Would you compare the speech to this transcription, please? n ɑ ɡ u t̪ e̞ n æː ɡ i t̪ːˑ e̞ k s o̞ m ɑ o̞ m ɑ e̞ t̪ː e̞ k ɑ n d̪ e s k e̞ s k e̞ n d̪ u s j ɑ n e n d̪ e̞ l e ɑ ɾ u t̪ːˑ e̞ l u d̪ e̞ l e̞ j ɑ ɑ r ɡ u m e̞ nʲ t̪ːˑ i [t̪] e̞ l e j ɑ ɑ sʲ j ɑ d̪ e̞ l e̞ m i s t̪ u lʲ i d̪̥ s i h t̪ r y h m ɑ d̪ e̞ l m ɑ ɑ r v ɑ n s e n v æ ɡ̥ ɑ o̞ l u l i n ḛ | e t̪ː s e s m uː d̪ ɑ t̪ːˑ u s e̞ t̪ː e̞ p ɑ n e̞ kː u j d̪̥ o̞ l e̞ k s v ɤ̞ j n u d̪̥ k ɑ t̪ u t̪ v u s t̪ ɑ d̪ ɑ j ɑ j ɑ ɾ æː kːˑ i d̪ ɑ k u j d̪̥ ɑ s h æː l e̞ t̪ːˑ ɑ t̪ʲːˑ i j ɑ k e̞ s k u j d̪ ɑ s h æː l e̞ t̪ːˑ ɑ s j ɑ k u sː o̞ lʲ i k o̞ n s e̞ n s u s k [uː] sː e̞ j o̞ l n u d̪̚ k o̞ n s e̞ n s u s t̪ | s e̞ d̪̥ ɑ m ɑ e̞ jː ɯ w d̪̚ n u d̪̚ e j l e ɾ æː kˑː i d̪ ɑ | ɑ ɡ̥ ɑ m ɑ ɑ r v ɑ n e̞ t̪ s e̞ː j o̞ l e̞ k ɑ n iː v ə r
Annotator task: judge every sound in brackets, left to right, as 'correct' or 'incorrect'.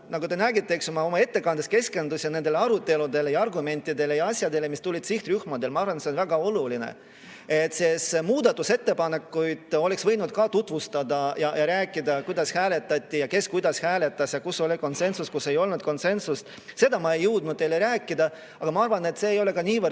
incorrect, incorrect

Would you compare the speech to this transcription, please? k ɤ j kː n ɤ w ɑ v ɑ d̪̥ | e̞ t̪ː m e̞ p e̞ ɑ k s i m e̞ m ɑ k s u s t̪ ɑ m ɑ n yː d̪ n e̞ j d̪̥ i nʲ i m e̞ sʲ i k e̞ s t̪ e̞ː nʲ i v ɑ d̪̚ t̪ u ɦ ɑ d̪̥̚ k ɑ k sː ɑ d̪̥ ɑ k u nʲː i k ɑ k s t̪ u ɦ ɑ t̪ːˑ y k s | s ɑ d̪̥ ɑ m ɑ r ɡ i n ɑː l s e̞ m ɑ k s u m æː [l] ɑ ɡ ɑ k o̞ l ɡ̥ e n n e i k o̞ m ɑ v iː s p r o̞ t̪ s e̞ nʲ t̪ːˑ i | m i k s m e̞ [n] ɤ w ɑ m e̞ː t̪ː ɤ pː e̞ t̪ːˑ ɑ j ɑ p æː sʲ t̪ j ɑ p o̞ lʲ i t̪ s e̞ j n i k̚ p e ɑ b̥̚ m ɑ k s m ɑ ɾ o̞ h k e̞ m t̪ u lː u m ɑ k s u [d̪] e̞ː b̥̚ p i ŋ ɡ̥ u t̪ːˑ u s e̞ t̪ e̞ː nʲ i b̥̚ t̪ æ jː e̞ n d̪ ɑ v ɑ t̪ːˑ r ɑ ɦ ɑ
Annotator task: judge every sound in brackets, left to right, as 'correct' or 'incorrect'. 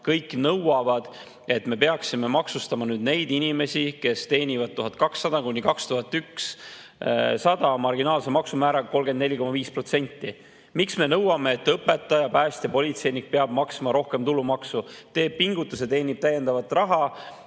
incorrect, correct, incorrect

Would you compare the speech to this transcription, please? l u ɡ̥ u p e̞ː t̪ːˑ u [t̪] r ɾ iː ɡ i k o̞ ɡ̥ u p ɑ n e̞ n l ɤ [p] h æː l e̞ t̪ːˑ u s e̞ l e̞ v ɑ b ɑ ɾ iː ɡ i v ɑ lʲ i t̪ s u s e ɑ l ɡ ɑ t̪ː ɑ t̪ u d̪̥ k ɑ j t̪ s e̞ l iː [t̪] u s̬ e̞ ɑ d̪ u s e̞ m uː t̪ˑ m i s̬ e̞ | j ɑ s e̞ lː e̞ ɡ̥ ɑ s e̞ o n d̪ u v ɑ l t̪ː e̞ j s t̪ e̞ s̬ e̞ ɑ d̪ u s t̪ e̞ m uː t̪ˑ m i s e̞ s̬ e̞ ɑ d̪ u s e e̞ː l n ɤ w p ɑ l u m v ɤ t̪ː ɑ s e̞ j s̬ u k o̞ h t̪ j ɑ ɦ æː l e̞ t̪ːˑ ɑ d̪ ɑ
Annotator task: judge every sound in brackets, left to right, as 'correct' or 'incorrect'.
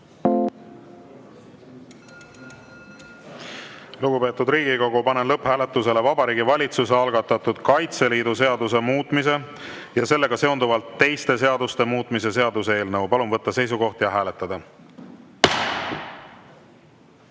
incorrect, correct, incorrect

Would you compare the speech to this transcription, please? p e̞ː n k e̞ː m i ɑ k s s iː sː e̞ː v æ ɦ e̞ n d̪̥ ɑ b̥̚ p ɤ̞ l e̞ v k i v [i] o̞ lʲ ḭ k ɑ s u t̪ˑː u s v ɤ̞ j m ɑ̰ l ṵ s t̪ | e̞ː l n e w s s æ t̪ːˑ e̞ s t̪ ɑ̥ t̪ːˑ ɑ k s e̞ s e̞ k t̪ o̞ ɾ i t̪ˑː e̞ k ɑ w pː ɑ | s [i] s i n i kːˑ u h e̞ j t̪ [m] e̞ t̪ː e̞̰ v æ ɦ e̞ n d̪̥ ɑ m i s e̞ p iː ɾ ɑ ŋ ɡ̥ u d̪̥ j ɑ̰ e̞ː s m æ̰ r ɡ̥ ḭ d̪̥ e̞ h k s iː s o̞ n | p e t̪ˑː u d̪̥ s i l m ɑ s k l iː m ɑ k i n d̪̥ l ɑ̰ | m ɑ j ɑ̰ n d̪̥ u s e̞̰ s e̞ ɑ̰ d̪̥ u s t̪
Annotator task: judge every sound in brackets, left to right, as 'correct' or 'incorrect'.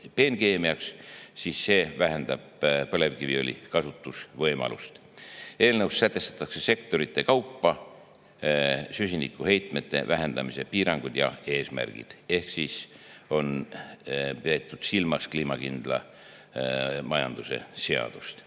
correct, incorrect, correct

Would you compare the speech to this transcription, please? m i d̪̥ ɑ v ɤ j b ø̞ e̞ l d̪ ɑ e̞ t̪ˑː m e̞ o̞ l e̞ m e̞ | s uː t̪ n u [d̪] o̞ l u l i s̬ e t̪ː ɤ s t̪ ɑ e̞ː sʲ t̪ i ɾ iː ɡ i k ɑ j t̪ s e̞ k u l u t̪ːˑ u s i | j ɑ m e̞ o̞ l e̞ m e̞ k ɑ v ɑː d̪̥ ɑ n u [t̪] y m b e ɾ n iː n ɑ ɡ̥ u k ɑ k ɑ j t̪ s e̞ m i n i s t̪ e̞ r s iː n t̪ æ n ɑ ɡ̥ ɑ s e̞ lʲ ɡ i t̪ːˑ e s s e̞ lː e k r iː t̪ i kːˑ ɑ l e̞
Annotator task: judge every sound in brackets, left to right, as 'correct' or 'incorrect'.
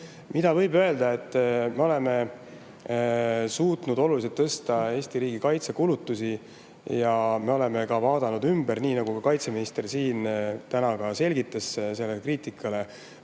correct, incorrect

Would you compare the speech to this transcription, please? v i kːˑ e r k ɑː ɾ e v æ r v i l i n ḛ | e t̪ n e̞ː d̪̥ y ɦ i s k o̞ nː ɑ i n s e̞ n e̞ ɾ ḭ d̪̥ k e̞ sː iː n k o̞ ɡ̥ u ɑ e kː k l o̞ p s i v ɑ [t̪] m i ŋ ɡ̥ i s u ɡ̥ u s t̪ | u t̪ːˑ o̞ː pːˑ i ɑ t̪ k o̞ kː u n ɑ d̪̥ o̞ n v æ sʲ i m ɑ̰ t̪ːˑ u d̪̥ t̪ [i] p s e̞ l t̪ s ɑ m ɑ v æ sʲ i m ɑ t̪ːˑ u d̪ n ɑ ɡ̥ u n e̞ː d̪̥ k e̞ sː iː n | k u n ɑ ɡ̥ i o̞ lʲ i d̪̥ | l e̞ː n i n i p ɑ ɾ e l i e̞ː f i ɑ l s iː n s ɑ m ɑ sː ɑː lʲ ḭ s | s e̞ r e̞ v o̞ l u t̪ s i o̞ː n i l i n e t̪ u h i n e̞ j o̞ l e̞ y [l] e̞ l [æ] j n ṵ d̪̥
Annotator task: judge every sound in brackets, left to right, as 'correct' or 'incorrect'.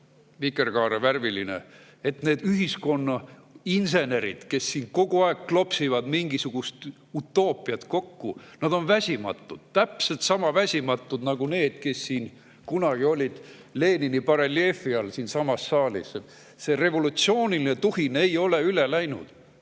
incorrect, incorrect, correct, correct

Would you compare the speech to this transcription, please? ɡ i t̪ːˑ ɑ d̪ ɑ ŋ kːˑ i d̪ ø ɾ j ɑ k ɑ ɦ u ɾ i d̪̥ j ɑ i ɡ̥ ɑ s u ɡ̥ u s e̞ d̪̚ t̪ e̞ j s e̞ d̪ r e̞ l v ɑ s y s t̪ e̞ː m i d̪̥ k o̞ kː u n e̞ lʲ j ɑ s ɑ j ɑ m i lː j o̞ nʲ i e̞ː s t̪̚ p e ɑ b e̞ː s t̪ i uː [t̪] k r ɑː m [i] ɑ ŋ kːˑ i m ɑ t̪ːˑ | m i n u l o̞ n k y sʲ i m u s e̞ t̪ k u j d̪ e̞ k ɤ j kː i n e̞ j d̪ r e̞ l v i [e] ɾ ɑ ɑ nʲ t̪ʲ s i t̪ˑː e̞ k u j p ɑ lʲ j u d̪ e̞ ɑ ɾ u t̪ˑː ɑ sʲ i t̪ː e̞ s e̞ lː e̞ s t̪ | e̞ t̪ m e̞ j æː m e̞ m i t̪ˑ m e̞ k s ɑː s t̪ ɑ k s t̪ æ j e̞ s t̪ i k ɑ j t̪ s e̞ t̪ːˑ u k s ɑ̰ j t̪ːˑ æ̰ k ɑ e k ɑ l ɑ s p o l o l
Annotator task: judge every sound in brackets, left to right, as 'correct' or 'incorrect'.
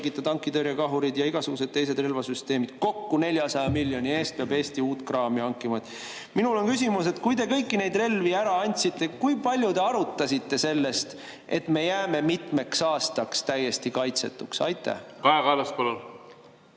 correct, correct, incorrect

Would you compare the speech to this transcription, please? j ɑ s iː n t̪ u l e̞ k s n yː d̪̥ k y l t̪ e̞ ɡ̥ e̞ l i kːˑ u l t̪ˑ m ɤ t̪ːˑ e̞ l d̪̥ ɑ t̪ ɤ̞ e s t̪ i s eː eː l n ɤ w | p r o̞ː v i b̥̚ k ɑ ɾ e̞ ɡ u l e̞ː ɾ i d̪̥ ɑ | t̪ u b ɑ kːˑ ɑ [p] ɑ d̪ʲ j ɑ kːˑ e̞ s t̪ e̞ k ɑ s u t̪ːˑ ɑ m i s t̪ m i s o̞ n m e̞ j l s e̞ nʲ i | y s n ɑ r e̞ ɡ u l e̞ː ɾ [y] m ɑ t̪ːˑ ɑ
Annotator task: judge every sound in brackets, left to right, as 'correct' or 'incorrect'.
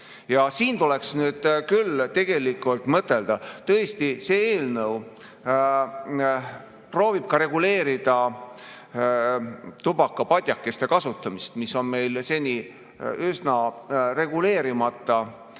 correct, incorrect

